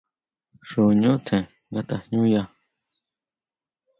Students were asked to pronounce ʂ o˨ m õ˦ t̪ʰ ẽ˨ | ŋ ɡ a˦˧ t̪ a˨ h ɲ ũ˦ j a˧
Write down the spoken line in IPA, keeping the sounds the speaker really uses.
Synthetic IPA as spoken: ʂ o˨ ɲ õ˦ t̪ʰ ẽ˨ | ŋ ɡ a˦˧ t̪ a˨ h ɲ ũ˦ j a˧

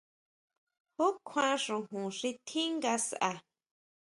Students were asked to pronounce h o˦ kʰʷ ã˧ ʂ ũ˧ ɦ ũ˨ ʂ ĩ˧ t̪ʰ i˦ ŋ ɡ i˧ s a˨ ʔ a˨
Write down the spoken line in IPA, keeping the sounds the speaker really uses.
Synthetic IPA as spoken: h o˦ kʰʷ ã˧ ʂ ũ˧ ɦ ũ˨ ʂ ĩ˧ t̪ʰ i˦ ŋ ɡ a˧ s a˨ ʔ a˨

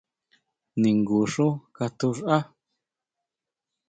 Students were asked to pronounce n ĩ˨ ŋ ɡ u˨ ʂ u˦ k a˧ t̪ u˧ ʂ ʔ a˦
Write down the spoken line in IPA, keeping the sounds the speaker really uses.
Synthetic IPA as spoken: n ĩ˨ ŋ ɡ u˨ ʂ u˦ k a˧ t̪ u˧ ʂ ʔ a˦

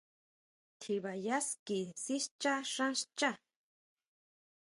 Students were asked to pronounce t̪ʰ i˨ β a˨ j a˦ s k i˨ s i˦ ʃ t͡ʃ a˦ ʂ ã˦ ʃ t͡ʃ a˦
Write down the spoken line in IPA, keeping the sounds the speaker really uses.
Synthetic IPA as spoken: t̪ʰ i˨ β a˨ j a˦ s k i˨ s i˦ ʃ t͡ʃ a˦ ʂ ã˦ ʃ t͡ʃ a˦

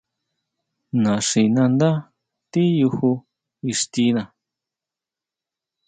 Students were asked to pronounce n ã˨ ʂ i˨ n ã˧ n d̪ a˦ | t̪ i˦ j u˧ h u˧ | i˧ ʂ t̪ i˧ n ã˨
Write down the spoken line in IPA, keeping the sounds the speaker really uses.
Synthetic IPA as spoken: n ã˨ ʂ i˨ n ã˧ n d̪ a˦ | t̪ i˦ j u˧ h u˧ | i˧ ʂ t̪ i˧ n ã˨

